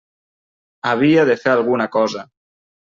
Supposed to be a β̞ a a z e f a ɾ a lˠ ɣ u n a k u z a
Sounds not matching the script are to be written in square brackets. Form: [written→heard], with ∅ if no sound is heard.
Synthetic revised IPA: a β̞ [a→i] a [z→ð] e f [a→e] ɾ a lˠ ɣ u n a k [u→ɔ] z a